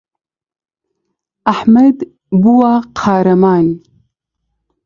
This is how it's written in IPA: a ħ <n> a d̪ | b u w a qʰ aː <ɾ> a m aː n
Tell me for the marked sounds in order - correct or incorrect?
incorrect, correct

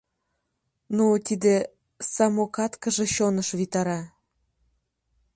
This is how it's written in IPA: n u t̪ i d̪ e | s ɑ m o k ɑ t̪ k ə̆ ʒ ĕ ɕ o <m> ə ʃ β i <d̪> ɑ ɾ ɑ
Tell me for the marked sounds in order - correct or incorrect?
incorrect, incorrect

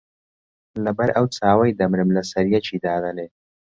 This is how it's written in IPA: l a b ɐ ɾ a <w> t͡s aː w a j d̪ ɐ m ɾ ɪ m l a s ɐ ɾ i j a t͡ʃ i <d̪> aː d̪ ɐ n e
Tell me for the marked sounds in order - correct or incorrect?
correct, correct

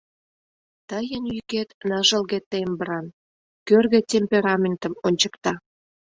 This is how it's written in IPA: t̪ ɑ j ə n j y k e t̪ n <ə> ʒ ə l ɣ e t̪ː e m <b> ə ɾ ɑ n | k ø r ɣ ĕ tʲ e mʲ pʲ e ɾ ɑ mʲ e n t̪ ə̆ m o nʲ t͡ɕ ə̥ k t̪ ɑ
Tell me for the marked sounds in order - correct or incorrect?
incorrect, correct

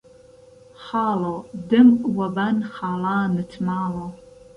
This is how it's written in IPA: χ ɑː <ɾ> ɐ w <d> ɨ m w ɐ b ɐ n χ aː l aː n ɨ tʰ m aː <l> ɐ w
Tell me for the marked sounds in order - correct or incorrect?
incorrect, correct, correct

